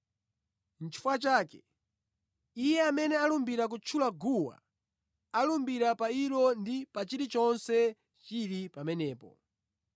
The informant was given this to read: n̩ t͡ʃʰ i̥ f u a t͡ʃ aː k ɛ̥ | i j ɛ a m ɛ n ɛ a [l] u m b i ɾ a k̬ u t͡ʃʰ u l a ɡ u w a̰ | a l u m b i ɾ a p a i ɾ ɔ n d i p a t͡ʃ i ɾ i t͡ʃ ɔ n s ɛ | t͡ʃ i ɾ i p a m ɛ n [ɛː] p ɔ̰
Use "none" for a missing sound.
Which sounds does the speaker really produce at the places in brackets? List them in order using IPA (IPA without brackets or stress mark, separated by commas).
l, ɛː